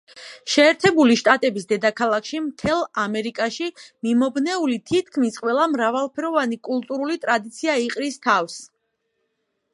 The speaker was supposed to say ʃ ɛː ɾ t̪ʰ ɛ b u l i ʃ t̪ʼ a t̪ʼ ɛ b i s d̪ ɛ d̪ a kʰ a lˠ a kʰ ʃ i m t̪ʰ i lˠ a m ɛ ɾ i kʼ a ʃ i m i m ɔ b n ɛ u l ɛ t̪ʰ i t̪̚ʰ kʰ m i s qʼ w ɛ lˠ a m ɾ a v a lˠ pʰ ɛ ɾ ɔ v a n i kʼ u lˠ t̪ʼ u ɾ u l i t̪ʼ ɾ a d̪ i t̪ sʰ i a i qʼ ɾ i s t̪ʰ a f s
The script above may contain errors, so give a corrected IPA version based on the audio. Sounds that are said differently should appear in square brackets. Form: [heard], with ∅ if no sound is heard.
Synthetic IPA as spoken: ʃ ɛː ɾ t̪ʰ ɛ b u l i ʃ t̪ʼ a t̪ʼ ɛ b i s d̪ ɛ d̪ a kʰ a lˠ a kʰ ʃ i m t̪ʰ [ɛ] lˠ a m ɛ ɾ i kʼ a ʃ i m i m ɔ b n ɛ u l [i] t̪ʰ i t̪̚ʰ kʰ m i s qʼ w ɛ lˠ a m ɾ a v a lˠ pʰ ɛ ɾ ɔ v a n i kʼ u lˠ t̪ʼ u ɾ u l i t̪ʼ ɾ a d̪ i t̪ sʰ i a i qʼ ɾ i s t̪ʰ a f s